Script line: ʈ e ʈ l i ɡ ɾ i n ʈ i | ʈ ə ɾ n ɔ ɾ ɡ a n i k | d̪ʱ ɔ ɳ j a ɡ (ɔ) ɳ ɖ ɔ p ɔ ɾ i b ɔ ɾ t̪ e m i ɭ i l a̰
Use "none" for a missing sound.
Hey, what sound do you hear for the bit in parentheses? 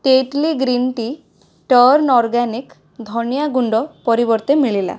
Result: u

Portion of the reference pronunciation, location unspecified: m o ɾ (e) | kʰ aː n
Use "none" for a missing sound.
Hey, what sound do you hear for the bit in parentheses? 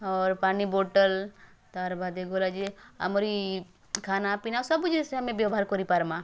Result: i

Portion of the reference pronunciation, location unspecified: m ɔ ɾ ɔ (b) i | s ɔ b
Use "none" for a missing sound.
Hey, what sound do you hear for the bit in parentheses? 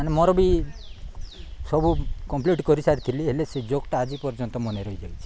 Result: b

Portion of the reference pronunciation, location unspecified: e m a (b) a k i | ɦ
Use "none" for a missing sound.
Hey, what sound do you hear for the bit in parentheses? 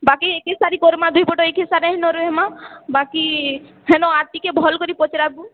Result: b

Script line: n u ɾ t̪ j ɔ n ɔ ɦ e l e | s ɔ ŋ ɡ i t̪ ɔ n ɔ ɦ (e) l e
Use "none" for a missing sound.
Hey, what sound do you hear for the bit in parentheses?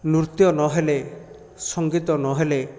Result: e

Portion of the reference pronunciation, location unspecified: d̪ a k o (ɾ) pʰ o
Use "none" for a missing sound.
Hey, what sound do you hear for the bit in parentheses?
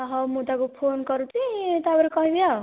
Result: none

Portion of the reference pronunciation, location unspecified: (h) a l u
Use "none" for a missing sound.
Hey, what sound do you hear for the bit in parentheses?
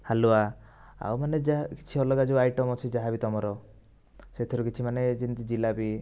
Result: h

